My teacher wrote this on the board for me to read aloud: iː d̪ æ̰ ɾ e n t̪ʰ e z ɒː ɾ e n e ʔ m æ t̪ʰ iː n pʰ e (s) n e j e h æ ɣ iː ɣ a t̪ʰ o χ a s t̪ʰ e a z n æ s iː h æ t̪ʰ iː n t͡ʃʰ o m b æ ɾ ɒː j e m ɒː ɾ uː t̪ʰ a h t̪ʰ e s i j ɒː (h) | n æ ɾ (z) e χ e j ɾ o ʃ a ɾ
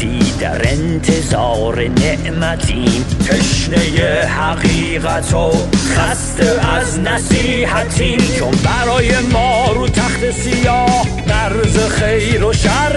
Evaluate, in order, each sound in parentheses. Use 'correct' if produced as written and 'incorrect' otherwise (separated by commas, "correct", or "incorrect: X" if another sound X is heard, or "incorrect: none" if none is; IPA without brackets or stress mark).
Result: incorrect: ʃ, correct, correct